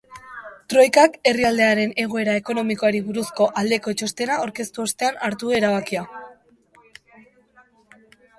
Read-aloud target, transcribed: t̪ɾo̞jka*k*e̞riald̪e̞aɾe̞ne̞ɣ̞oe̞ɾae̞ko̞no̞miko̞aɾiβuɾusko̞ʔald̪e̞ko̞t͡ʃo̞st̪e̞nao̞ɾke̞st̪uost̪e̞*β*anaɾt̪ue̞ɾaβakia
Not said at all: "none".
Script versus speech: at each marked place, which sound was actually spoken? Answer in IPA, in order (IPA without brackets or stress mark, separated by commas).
k, none